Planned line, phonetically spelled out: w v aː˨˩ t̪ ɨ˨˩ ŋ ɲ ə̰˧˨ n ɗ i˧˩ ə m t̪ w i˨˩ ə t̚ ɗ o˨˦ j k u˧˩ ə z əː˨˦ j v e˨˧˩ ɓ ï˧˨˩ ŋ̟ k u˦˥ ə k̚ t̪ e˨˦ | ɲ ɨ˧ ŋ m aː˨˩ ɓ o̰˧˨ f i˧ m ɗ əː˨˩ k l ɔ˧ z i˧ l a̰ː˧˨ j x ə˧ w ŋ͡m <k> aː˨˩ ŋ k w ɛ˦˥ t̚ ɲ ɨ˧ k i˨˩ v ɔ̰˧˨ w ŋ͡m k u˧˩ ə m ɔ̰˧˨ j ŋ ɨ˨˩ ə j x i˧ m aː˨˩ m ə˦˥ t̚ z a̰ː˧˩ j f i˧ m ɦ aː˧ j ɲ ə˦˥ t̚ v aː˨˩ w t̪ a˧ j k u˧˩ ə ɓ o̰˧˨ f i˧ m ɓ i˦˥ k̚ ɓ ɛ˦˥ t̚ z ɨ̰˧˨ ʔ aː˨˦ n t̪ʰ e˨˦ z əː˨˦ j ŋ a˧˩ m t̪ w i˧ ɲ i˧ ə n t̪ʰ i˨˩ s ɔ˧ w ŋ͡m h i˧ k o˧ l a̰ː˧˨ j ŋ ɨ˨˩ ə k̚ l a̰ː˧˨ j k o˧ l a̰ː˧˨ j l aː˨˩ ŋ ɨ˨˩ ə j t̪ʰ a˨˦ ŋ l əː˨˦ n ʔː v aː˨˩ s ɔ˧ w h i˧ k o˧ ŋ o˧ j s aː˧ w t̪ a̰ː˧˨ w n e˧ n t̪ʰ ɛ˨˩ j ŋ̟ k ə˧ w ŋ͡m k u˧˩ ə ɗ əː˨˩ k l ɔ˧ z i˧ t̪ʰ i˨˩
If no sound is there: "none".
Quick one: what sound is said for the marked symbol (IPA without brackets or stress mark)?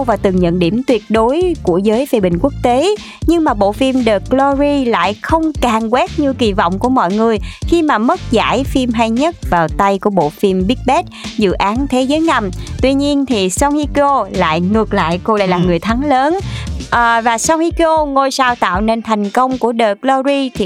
k